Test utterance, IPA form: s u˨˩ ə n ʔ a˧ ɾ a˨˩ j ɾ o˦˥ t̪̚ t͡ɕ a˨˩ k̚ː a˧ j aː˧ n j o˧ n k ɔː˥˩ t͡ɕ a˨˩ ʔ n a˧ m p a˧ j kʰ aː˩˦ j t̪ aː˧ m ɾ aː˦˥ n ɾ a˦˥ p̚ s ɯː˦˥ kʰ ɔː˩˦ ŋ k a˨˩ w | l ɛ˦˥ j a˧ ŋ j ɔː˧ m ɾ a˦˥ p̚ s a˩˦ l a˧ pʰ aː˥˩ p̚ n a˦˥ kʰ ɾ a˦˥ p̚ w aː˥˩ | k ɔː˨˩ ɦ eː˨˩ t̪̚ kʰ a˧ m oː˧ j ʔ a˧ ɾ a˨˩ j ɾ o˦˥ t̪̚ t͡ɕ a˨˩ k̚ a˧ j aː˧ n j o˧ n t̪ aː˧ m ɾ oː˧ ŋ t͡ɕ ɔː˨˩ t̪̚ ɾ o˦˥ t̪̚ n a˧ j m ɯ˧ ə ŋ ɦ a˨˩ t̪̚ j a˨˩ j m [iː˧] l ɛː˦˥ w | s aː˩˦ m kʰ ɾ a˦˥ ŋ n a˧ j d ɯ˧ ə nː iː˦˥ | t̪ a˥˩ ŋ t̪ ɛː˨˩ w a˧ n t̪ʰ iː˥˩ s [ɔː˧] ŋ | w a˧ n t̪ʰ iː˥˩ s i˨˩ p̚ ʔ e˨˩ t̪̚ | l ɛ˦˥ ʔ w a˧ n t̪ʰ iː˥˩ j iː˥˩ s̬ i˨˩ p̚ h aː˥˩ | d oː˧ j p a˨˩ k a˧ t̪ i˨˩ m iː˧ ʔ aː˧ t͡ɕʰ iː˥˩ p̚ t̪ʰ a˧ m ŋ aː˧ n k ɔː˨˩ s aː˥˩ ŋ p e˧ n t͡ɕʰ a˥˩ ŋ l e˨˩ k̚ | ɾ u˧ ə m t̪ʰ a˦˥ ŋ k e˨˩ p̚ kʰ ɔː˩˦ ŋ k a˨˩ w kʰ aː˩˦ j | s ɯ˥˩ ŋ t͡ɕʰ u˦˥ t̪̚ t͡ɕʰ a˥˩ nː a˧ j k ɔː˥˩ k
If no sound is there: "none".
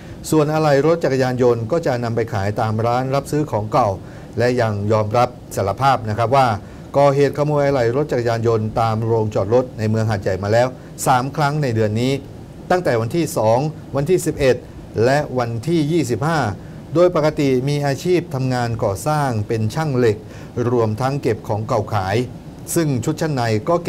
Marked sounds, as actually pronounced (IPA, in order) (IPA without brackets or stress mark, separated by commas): aː˧, ɔː˩˦